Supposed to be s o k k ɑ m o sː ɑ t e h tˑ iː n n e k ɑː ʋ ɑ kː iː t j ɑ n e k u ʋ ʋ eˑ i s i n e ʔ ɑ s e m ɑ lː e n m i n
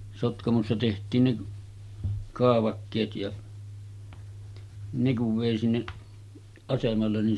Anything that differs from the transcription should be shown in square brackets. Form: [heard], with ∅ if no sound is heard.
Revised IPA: s o [t] k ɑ m o sː ɑ t e h tˑ iː n n e k ɑː ʋ ɑ kː [eː] t j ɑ n e k u ʋ ʋ eˑ i s i [nː] e ʔ ɑ s e m ɑ lː e n [n] i n

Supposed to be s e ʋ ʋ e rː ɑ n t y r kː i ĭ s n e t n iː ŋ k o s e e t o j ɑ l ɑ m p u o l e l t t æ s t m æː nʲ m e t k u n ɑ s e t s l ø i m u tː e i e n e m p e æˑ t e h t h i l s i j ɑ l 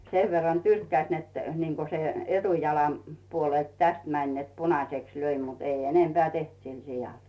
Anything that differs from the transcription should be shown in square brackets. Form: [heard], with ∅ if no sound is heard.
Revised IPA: s e ʋ ʋ e rː ɑ n t y r kː [æ] ĭ s n e t n iː ŋ k o s e e t [u] j ɑ l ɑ m p u o l e l t t æ s t m [æ] nʲ [n] e t [p] u n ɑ s e [k] s l ø i m u tː e i e n e m p e æˑ t e h t [s] i l s i j ɑ l

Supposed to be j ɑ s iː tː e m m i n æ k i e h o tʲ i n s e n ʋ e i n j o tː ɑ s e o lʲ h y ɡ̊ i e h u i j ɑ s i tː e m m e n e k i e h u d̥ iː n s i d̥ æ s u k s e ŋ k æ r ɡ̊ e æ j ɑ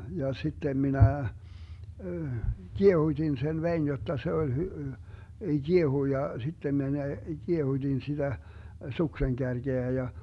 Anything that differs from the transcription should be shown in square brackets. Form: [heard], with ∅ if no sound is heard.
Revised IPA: j ɑ s [i] tː e m m i n æ k i e h [u] tʲ i n s e n ʋ e i n j o tː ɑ s e o lʲ h y ɡ̊ i e h u i j ɑ s i tː e m m e n e k i e h u d̥ [i] n s i d̥ æ s u k s e ŋ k æ r ɡ̊ e æ j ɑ

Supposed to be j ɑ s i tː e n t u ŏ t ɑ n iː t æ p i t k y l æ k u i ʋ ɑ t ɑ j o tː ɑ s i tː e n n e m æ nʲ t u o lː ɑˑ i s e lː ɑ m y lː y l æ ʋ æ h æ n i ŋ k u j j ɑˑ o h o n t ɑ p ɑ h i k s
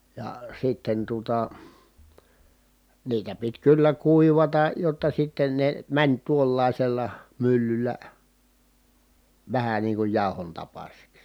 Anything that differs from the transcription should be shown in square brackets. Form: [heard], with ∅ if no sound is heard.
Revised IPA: j ɑ s i tː e n t u ŏ t ɑ n iː t æ p i t k y [lː] æ k u i ʋ ɑ t ɑ j o tː ɑ s i tː e n n e m æ nʲ t u o lː ɑˑ i s e lː ɑ m y lː y [lː] æ ʋ æ h æ n [iː] ŋ k u j j ɑˑ o h o n t ɑ p ɑ [s] i k s

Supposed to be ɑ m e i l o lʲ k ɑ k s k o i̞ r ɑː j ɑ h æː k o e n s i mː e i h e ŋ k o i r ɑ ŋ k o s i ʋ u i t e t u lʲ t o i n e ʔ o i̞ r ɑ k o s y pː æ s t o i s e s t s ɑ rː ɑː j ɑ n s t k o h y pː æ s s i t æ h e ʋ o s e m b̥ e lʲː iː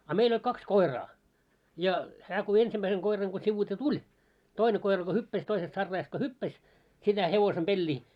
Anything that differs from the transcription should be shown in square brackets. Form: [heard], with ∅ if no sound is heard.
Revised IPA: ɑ m e i l o lʲ k ɑ k s k o i̞ r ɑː j ɑ h æː k o e n s i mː [æ] i [s] e ŋ k o i r ɑ ŋ k o s i ʋ u i t e t u lʲ t o i n e [k] o i̞ r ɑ k o [h] y pː æ s t o i s e s t s ɑ rː ɑː j ɑ [∅] s t k o h y pː æ s s i t æ h e ʋ o s e m b̥ e lʲː iː

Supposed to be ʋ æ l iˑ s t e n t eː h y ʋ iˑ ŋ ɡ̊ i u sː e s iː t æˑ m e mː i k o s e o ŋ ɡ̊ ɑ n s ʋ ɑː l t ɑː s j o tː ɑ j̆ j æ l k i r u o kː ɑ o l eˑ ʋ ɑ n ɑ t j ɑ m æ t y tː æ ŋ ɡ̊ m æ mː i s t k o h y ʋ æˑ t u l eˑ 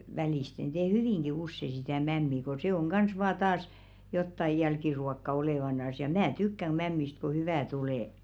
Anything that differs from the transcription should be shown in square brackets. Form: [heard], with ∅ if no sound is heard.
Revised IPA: ʋ æ l iˑ s t e n t eː h y ʋ iˑ ŋ ɡ̊ i u sː e s [i] t æˑ m [æ] mː i k o s e o ŋ ɡ̊ ɑ n s ʋ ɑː [∅] t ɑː s j o tː ɑ j̆ j æ l k i r u o kː ɑ o l eˑ ʋ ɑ n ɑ [s] j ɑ m æ t y [kː] æ ŋ ɡ̊ m æ mː i s t k o h y ʋ æˑ t u l eˑ

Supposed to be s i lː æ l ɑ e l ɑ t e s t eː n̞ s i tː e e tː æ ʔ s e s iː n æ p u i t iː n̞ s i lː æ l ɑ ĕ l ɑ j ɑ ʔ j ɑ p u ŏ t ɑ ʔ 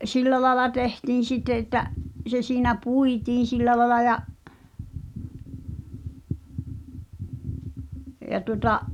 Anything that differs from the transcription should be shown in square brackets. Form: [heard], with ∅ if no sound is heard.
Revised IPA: s i lː æ l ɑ e l ɑ t e [h] t [iː] n̞ s i tː e e tː æ ʔ s e s iː n æ p u i t iː n̞ s i lː æ l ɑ ĕ l ɑ j ɑ ʔ j ɑ [t] u ŏ t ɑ ʔ

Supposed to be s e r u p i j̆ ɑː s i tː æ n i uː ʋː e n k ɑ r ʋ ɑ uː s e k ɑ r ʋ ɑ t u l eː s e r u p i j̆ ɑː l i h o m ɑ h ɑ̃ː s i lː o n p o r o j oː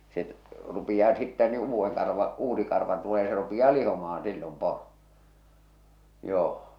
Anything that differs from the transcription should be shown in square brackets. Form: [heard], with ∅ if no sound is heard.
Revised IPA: s e r u p i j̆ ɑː s i tː æ n i uː ʋː e [ŋ] k ɑ r ʋ ɑ uː s [i] k ɑ r ʋ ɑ t u l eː s e r u p i j̆ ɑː l i h o m ɑ h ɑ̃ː s i lː o [m] p o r o j oː

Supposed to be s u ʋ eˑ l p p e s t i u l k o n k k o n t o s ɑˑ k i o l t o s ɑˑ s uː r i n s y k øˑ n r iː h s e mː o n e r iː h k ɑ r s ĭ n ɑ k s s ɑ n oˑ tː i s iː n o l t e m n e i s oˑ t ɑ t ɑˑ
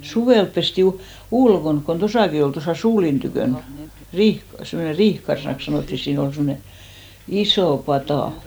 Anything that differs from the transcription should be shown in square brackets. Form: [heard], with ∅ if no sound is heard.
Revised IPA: s u ʋ eˑ l p p e s t i u l k o n k k o n t o s ɑˑ k i o l t o s ɑˑ s uː [l] i n [t] y k øˑ n r iː h s e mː o n e r iː h k ɑ r s ĭ n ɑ k s s ɑ n oˑ tː i s iː n o l [s] e m n e i s oˑ [p] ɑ t ɑˑ

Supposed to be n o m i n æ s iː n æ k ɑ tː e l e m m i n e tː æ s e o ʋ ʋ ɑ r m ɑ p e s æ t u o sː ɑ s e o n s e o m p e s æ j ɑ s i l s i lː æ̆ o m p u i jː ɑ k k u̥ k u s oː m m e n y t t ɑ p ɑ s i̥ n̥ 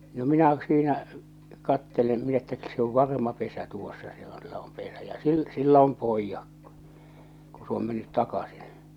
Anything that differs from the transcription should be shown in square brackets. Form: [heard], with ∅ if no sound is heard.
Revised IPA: n o m i n æ s iː n æ k ɑ tː e l e m m i n e tː æ s e o ʋ ʋ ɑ r m ɑ p e s æ t u o sː ɑ s e o n s e o m p e s æ j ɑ s i l s i lː æ̆ o m p [o] i jː ɑ k k u̥ k u s oː m m e [nː] y t t ɑ [k] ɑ s i̥ n̥

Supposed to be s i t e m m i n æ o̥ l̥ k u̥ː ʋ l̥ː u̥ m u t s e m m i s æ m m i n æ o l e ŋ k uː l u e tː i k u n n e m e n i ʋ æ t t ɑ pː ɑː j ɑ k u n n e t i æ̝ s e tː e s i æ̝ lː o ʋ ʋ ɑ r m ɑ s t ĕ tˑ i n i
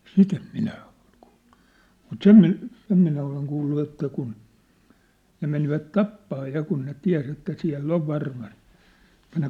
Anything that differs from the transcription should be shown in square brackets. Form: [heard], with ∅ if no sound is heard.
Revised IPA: s i t e m m i n æ o̥ l̥ k u̥ː [∅] l̥ː u̥ m u t s e m m i s [e] m m i n æ o l e ŋ k uː [lː] u e tː [æ] k u n n e m e n i ʋ æ t t ɑ pː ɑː j ɑ k u n n e t i æ̝ s e tː [æ] s i æ̝ lː o ʋ ʋ ɑ r m ɑ s t ĕ tˑ [æ] n [e]

